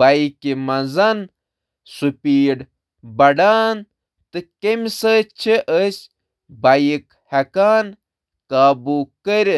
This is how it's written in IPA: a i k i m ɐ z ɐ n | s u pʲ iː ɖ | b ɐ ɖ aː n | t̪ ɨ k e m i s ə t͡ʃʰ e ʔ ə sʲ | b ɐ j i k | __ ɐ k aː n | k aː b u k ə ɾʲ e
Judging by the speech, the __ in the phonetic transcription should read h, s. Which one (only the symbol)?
h